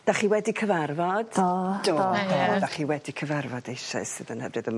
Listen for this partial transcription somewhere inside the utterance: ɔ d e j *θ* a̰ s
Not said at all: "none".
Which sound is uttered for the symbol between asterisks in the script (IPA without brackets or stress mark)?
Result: ʃ